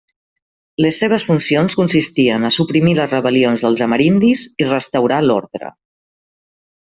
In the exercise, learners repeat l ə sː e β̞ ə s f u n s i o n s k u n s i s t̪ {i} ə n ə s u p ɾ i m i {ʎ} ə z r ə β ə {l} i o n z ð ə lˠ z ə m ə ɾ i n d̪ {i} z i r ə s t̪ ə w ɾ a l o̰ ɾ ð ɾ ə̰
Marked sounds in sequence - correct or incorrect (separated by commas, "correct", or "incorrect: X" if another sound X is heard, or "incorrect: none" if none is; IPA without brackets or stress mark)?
correct, incorrect: l, correct, correct